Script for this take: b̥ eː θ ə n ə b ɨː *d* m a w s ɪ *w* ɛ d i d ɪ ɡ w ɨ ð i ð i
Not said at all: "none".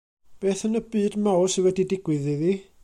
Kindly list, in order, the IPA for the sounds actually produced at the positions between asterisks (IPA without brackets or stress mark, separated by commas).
d, w